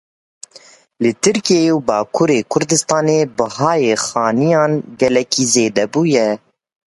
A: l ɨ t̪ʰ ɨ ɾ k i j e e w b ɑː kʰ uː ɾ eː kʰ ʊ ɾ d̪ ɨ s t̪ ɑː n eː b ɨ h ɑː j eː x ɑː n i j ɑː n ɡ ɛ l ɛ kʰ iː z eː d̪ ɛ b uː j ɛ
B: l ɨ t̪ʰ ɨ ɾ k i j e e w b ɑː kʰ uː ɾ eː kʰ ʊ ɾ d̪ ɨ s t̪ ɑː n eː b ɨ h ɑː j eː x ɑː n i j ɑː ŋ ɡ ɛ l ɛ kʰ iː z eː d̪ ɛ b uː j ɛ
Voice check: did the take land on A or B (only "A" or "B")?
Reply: A